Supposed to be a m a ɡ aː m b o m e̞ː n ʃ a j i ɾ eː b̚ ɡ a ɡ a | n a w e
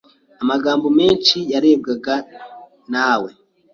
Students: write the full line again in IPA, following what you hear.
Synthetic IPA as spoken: a m a ɡ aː m b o m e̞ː n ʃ i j a ɾ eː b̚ ɡ a ɡ a | n a w e